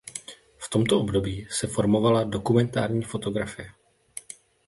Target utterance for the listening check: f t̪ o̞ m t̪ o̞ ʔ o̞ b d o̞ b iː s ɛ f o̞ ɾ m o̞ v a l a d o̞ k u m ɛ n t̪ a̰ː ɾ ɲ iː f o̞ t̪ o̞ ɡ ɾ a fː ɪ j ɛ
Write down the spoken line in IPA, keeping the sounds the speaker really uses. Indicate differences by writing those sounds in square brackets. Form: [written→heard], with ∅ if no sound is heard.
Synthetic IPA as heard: f t̪ o̞ m t̪ o̞ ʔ o̞ b d o̞ b iː s ɛ f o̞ ɾ m o̞ v a l a d o̞ k u m ɛ n t̪ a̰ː ɾ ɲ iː f o̞ t̪ o̞ ɡ ɾ a [fː→f] ɪ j ɛ